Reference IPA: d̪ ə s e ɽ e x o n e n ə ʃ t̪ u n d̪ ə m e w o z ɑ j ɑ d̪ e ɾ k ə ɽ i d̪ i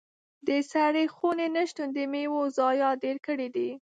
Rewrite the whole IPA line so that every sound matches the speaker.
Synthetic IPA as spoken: d̪ ə s a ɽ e x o n e n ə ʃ t̪ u n d̪ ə m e w o z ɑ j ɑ d̪ e ɾ k ə ɽ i d̪ i